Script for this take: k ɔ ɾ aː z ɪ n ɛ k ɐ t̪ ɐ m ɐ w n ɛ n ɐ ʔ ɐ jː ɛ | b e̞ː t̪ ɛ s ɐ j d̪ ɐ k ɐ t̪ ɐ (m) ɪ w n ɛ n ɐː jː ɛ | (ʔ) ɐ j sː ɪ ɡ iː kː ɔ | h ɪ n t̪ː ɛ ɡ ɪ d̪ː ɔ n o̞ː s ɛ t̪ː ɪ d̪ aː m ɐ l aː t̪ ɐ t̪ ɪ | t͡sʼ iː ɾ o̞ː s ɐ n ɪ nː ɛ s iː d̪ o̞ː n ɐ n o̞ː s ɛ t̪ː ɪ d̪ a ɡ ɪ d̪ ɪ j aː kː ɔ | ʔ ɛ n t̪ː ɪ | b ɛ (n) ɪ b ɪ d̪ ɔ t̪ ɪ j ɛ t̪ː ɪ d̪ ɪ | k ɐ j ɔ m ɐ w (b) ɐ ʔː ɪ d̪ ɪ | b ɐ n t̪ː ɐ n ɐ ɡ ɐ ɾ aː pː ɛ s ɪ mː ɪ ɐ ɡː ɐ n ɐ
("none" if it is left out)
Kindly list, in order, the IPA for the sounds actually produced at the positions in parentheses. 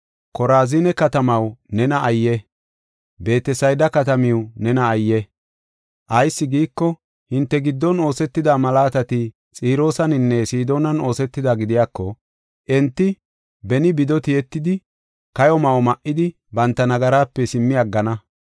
m, ʔ, n, m

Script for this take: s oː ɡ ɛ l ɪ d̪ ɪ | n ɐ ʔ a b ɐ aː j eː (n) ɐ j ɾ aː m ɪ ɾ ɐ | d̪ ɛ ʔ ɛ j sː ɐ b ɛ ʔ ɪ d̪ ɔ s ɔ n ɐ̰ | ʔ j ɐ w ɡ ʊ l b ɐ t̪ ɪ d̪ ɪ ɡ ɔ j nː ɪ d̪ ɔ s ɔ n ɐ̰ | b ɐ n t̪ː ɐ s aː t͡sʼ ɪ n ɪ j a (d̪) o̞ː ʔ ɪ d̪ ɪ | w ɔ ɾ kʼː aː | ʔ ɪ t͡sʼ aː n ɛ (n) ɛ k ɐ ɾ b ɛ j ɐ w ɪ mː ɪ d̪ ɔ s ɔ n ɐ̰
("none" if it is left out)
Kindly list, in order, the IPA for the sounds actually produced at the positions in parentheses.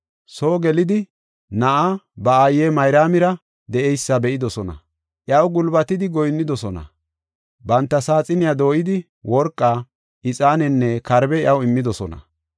m, d̪, nː

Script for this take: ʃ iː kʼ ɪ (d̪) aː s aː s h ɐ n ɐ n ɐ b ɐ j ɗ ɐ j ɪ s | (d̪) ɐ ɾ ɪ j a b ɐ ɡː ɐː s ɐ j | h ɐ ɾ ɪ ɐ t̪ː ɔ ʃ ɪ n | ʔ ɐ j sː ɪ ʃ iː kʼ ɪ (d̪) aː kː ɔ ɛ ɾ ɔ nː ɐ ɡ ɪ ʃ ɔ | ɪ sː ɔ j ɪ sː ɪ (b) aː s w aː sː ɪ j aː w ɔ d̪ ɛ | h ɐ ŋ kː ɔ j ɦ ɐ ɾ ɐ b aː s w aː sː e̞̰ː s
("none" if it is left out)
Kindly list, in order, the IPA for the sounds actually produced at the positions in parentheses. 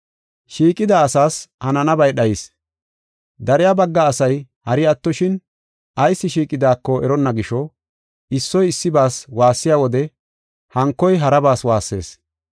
d̪, d̪, d̪, b

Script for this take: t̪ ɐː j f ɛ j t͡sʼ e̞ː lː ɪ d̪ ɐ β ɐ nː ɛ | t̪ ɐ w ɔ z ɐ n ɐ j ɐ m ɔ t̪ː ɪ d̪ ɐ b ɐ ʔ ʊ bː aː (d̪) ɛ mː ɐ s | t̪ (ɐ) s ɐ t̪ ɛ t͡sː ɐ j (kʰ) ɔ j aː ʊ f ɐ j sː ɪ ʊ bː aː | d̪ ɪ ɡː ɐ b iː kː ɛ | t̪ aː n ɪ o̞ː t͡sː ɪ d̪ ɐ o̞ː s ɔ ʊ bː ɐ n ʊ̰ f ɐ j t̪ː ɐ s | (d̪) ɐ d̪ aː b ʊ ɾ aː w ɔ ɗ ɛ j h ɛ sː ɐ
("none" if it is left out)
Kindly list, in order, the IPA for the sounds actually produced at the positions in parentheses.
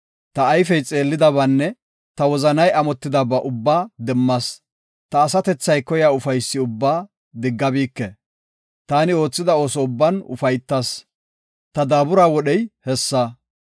d̪, ɐː, k, t̪

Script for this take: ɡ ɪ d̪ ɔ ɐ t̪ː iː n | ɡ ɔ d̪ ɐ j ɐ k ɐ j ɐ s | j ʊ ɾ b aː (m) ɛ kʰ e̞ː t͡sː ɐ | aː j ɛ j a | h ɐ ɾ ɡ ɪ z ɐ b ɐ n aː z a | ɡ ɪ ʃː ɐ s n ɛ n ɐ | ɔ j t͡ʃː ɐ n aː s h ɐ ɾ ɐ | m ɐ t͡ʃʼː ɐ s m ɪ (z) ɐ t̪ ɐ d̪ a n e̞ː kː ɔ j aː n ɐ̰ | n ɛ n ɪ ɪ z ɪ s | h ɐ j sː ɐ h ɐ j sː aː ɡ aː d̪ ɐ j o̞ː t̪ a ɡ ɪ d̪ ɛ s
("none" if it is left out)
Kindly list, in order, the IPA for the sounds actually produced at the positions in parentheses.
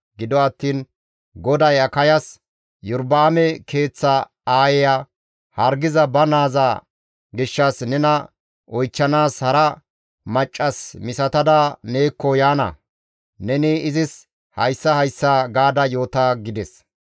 m, s

